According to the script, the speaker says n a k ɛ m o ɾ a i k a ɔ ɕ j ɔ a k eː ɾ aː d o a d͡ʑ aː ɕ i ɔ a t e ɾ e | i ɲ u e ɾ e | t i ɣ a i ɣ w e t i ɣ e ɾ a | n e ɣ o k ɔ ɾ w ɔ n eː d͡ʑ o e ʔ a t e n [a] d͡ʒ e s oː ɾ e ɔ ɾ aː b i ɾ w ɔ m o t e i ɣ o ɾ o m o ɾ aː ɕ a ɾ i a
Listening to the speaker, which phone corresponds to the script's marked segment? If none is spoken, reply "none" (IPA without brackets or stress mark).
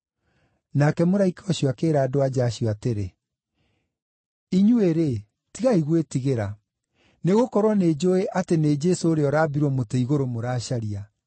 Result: e